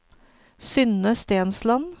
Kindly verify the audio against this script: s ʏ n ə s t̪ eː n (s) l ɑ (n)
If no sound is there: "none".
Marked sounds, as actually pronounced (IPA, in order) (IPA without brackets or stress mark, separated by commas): s, n